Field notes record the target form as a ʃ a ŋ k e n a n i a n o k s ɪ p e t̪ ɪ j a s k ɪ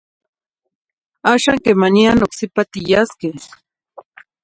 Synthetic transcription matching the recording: a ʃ a ŋ k e m a n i a n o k s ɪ p a t̪ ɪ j a s k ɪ